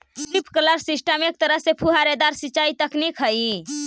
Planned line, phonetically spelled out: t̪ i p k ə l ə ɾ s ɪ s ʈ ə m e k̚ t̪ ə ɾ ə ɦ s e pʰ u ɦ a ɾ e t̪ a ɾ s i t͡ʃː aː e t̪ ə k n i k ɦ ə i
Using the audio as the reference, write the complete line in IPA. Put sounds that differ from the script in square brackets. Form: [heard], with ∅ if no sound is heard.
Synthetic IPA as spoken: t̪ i p k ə l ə ɾ s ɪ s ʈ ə m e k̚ t̪ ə ɾ ə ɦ s e pʰ u ɦ a ɾ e [d̪] a ɾ s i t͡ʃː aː [i] t̪ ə k n i k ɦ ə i